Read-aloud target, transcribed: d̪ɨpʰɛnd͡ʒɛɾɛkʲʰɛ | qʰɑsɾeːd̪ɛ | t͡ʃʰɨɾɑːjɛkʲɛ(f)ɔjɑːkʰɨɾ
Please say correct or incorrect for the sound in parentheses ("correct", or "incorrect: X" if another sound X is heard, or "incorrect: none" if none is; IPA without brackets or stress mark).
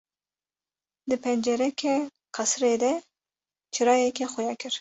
incorrect: x